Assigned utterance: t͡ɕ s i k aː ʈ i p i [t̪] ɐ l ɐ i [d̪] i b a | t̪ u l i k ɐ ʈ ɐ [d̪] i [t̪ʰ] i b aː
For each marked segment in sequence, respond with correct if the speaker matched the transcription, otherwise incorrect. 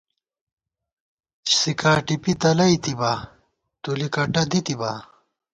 correct, incorrect: t̪, correct, incorrect: t̪

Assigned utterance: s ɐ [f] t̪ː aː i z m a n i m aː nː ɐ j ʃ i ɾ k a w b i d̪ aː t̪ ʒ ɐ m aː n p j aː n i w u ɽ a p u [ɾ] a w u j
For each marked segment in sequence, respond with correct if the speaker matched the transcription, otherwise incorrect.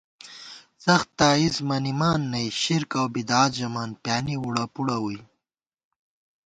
incorrect: x, incorrect: ɽ

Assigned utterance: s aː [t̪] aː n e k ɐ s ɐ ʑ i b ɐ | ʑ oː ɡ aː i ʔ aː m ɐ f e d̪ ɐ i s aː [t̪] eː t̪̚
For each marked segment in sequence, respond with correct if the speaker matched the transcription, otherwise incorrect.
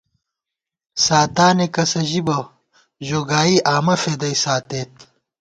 correct, correct

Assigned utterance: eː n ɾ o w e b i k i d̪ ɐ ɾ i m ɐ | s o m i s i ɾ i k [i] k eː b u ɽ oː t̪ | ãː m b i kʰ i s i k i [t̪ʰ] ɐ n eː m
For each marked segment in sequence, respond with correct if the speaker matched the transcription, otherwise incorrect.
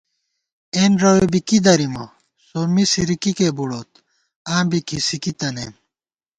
correct, incorrect: t̪

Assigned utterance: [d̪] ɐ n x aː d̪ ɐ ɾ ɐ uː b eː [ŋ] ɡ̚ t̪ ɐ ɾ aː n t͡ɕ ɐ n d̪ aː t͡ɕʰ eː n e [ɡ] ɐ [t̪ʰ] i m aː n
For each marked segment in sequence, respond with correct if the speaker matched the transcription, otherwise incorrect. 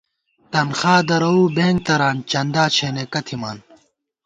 incorrect: t̪, correct, incorrect: k, correct

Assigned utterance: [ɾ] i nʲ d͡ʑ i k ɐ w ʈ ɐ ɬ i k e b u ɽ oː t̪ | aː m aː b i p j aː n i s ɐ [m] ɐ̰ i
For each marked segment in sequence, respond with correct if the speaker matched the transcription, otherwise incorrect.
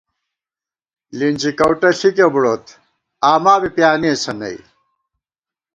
incorrect: l, incorrect: n

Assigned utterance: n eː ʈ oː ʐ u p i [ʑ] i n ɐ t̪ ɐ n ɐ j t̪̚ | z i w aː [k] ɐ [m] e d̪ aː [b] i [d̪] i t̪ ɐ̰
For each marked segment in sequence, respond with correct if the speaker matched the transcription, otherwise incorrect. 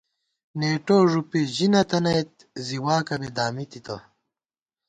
correct, correct, incorrect: b, incorrect: m, incorrect: t̪

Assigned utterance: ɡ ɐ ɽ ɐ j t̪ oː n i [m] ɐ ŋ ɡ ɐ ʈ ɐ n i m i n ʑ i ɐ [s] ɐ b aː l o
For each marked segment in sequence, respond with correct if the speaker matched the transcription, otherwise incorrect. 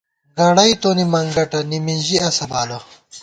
correct, correct

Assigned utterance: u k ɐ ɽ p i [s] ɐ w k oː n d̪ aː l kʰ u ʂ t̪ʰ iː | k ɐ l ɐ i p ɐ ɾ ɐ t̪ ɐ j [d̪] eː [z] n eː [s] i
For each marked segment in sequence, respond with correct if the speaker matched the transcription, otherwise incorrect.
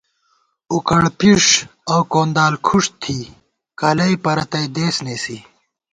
incorrect: ʂ, correct, incorrect: s, correct

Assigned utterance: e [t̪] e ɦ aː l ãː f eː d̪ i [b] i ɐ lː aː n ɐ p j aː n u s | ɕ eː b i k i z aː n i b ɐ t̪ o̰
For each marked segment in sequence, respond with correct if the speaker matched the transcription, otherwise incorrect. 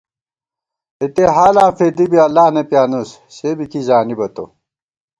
correct, correct

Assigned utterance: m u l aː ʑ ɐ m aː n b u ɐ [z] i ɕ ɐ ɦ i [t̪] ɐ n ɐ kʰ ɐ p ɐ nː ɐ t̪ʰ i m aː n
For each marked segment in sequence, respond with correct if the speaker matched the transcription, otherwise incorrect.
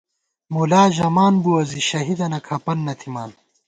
correct, incorrect: d̪

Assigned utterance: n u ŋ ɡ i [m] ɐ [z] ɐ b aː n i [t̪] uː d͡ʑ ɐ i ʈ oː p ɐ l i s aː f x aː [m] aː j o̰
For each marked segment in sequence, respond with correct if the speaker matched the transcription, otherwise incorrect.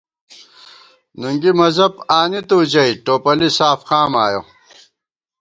correct, correct, correct, correct

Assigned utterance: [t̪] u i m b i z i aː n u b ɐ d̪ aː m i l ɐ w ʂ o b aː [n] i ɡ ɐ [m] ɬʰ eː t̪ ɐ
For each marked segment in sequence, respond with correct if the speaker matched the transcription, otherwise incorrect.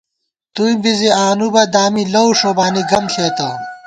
correct, correct, correct

